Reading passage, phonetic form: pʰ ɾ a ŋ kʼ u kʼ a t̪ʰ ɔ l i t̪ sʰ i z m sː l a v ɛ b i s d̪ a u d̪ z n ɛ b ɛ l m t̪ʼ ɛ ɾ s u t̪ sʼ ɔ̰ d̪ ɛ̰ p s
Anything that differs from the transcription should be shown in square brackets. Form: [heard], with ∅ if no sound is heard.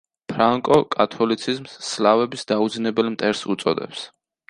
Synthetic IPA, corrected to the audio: pʰ ɾ a ŋ kʼ [ɔ] kʼ a t̪ʰ ɔ l i t̪ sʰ i z m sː l a v ɛ b i s d̪ a u d̪ z n ɛ b ɛ l m t̪ʼ ɛ ɾ s u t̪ sʼ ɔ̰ d̪ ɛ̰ p s